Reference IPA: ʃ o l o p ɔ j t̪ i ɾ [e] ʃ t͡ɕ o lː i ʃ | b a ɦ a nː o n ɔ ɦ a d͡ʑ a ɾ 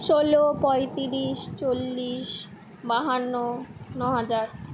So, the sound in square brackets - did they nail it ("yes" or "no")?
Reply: no